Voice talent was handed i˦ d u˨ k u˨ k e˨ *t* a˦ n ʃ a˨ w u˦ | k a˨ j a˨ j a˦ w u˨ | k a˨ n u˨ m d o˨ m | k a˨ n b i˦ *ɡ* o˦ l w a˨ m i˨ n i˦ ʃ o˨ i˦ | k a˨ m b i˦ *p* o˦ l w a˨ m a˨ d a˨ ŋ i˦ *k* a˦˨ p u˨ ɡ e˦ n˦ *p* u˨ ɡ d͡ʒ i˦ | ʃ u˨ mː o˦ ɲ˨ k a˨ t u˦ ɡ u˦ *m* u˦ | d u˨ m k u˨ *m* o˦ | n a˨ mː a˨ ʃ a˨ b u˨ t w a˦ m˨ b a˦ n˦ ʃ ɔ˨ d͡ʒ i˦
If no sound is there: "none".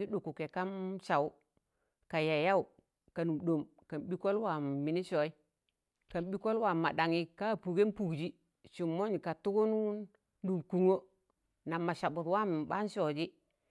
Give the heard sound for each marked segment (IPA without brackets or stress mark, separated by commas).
k, k, k, k, p, n, ŋ